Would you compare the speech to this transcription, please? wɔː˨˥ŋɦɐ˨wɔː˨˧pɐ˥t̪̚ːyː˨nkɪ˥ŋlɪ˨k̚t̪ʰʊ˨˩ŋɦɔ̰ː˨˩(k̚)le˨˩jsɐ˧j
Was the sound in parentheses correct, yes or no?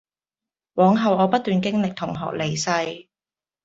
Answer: yes